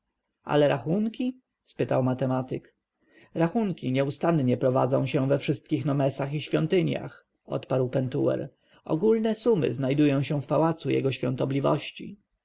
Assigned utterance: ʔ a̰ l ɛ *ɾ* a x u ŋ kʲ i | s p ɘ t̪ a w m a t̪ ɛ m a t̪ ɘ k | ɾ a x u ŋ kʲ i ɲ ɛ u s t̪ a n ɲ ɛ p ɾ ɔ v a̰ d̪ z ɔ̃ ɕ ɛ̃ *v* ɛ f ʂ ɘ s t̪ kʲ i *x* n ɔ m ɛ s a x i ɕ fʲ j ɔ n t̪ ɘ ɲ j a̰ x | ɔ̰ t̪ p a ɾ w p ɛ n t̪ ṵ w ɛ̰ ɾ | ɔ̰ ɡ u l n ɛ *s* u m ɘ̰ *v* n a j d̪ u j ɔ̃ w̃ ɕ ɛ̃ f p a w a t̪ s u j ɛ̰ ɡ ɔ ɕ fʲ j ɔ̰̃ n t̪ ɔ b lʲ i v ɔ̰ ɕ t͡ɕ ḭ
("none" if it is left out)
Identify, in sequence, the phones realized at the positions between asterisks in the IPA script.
ɾ, v, x, s, z

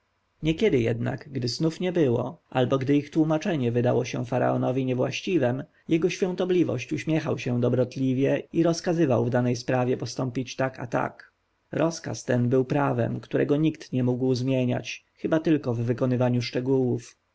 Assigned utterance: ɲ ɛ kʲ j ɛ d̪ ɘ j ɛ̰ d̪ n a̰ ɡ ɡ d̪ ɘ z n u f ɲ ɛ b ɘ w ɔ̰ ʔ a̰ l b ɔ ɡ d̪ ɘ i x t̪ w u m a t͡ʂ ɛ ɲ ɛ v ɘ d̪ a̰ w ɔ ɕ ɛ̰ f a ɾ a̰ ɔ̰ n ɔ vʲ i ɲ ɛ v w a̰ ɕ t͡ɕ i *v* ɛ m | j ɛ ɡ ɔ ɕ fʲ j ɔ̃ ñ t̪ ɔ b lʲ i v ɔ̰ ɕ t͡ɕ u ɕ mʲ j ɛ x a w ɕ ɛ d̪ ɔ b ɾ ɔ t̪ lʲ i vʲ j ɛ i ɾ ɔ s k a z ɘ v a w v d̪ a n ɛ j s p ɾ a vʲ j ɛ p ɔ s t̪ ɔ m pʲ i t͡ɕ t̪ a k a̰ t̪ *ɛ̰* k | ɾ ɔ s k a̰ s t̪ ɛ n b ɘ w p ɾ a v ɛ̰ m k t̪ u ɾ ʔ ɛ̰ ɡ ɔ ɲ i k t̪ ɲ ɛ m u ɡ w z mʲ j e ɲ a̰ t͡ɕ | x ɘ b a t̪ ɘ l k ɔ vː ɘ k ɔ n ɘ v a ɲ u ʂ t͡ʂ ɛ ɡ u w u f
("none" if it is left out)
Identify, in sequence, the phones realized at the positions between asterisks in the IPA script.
v, a̰

